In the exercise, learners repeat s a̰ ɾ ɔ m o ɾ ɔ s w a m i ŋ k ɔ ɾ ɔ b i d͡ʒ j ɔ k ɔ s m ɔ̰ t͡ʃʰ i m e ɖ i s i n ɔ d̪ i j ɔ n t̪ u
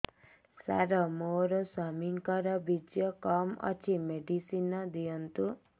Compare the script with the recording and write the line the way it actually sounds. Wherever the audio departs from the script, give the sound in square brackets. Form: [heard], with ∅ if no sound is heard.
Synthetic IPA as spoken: s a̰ ɾ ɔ m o ɾ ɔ s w a m i ŋ k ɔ ɾ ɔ b i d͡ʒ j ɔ k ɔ [∅] m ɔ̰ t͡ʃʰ i m e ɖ i s i n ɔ d̪ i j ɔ n t̪ u